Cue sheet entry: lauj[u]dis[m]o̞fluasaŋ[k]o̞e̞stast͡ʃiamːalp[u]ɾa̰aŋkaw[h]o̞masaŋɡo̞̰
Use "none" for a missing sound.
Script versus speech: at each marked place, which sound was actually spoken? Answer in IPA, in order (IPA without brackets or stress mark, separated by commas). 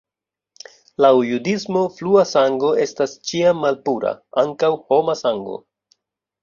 u, m, ɡ, u, h